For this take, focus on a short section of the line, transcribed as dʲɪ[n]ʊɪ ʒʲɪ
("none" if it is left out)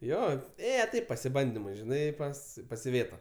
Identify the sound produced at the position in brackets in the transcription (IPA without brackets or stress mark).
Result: m